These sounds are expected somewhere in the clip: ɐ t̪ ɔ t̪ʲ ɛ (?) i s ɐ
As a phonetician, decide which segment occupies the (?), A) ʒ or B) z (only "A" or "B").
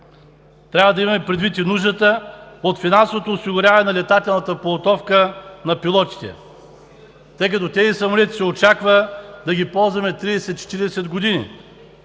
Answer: B